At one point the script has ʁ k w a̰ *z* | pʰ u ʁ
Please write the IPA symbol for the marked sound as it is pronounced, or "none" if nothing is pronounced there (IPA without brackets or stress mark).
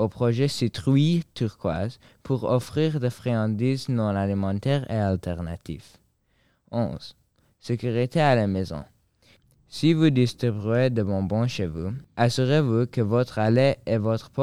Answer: z